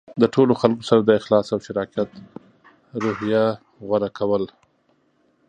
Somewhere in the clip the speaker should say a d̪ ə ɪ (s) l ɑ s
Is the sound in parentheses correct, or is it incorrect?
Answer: incorrect: x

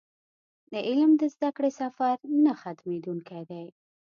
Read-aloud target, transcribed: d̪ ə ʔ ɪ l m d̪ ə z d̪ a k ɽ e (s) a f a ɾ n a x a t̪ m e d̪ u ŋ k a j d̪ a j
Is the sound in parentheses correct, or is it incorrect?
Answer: correct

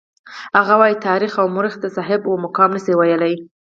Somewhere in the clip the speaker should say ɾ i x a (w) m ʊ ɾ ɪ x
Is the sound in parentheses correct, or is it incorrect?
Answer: correct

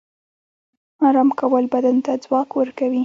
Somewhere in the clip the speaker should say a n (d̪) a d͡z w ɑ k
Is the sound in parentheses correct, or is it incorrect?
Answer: incorrect: t̪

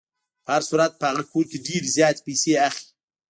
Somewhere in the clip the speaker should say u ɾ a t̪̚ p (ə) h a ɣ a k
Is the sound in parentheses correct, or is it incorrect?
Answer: correct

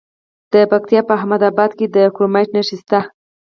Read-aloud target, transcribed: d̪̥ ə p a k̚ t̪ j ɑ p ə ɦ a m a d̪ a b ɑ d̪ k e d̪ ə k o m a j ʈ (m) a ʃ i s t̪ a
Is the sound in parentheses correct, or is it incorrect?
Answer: incorrect: n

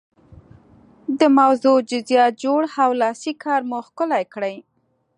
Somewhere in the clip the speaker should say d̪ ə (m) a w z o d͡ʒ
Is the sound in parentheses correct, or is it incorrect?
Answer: correct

